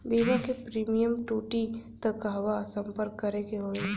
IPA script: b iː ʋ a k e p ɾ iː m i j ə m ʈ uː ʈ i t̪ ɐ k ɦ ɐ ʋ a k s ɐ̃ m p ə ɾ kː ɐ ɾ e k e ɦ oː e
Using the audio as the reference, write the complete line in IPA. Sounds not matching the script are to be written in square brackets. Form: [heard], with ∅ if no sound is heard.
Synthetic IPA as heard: b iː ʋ a k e p ɾ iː m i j ə m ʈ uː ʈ i t̪ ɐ k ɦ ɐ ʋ a [∅] s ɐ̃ m p ə ɾ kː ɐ ɾ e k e ɦ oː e